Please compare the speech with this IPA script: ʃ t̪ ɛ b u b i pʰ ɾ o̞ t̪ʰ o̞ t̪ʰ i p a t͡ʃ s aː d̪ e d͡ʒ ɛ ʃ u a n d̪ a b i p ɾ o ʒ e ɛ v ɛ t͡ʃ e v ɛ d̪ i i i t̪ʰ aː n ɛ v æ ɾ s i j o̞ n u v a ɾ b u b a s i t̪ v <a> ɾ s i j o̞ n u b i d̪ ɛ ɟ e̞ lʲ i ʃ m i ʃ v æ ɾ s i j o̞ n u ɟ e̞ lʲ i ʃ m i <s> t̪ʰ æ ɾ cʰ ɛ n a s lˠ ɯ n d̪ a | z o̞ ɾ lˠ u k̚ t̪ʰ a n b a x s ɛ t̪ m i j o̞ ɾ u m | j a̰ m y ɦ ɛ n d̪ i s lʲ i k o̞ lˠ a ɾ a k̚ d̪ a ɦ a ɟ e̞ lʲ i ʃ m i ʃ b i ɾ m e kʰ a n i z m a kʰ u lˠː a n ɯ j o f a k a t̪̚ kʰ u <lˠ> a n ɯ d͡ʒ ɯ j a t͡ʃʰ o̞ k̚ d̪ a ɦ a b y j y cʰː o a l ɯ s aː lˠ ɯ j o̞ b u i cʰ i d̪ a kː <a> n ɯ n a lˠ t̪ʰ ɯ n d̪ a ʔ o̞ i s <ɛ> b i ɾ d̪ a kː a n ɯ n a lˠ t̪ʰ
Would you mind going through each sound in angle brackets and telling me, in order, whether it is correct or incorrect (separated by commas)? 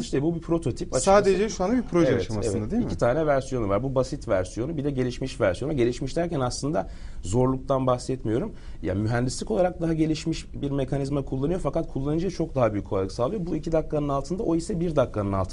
incorrect, incorrect, incorrect, correct, correct